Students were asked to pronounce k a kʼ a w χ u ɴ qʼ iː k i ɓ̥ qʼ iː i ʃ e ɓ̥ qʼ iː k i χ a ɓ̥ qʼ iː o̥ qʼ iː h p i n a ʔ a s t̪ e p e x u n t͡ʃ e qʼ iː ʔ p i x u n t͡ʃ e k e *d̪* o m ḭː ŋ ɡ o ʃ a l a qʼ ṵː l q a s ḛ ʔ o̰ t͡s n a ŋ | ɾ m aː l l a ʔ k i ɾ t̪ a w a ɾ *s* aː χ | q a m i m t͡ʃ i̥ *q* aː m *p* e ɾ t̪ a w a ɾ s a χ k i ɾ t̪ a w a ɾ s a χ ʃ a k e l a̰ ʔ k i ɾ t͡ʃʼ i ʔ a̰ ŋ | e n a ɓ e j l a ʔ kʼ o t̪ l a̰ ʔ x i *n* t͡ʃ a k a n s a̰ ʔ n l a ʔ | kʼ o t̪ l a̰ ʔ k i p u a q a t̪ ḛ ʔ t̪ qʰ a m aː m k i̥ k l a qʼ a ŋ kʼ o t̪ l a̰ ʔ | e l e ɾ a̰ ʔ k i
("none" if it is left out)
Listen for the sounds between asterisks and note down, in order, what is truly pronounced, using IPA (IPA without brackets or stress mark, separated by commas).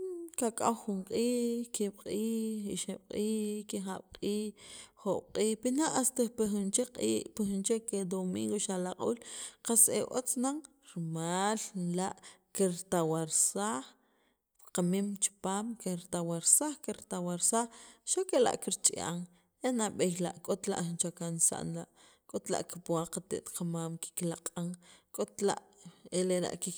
d̪, s, p, k, n